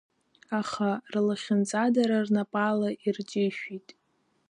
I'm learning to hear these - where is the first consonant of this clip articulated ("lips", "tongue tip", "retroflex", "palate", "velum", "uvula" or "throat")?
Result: uvula